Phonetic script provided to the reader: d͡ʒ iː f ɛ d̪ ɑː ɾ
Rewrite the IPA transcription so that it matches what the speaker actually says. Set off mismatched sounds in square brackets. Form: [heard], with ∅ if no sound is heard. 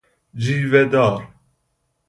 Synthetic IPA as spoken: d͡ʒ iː [v] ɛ d̪ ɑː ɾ